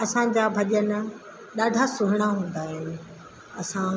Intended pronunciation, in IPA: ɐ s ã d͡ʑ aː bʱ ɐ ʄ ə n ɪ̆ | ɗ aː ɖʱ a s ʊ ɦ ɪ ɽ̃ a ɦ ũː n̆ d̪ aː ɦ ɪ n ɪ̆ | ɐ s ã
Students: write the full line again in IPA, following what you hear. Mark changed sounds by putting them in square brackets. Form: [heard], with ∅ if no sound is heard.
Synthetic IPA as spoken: ɐ s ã d͡ʑ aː bʱ ɐ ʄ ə n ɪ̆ | ɗ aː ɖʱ a s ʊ ɦ ɪ ɽ̃ a ɦ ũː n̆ d̪ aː ɦ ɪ n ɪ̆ | ɐ s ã